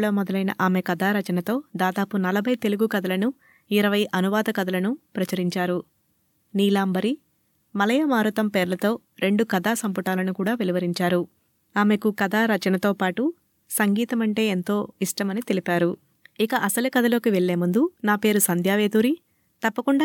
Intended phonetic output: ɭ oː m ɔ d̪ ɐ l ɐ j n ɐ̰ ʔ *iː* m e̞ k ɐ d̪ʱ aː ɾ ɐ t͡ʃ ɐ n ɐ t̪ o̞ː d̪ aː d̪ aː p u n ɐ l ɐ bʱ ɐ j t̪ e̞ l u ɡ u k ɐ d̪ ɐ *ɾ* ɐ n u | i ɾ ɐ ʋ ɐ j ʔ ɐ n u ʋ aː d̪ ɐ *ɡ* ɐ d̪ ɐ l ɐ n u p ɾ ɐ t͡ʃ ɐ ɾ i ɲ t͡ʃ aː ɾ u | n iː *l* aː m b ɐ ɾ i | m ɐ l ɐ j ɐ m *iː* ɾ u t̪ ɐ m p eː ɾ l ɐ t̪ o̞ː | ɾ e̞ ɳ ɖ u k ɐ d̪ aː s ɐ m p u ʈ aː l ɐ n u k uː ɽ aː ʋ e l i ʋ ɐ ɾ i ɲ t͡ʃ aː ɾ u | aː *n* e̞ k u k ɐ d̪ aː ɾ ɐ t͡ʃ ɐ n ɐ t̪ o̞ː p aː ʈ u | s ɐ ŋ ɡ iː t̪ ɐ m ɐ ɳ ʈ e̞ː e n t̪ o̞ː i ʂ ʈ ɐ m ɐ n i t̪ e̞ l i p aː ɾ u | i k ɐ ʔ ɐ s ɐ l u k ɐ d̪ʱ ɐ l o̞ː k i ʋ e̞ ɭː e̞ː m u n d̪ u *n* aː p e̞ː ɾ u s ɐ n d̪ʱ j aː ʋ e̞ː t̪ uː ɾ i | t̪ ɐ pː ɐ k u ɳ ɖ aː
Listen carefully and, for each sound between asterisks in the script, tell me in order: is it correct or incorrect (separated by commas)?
incorrect, incorrect, incorrect, correct, incorrect, incorrect, correct